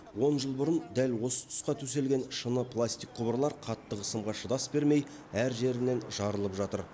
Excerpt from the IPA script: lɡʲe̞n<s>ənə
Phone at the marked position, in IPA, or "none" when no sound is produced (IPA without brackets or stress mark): ʃ